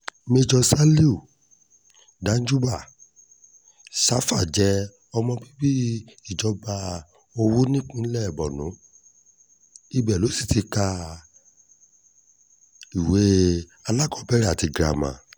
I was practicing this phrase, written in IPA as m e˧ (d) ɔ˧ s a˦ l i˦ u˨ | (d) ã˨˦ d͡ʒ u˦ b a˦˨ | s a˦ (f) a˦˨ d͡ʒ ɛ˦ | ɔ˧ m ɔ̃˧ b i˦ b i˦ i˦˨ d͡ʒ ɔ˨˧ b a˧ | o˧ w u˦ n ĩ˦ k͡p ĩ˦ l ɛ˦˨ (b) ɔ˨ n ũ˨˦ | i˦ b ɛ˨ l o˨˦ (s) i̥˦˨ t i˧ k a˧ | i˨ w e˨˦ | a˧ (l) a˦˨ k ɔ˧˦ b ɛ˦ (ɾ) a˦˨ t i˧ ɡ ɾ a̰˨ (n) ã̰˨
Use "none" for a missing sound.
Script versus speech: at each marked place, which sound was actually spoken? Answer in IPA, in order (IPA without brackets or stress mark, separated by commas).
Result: d͡ʒ, d, f, b, s, l, ɾ, m